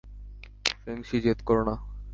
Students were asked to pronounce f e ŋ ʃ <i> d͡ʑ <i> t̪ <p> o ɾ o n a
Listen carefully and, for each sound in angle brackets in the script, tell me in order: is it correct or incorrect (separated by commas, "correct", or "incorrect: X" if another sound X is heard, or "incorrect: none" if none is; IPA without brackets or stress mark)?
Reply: correct, incorrect: e, incorrect: k